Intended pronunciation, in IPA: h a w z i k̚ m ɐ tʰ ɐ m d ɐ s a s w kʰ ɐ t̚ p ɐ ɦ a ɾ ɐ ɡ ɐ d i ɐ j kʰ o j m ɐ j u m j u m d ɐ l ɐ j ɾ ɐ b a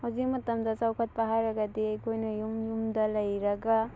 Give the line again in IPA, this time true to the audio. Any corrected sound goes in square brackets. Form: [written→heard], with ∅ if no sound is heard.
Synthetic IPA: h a w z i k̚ m ɐ [tʰ→t] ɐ m d ɐ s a [s→∅] w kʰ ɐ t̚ p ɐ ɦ a ɾ ɐ ɡ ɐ d i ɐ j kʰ o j [m→n] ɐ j u m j u m d ɐ l ɐ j ɾ ɐ [b→ɡ] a